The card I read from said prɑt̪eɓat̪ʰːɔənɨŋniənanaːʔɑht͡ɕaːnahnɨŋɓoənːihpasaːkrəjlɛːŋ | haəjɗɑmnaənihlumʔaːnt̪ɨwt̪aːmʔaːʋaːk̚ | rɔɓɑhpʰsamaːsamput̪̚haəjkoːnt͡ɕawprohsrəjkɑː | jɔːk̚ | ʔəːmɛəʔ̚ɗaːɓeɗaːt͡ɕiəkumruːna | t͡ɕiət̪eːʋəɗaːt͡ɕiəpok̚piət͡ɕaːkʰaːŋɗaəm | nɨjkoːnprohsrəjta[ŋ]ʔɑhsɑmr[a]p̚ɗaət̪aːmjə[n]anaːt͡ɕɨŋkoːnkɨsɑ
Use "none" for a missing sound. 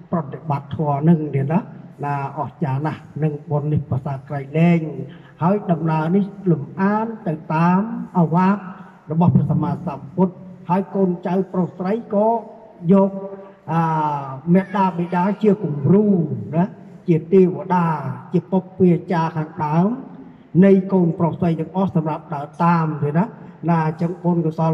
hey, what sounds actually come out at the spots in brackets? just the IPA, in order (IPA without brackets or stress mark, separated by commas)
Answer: ŋ, a, n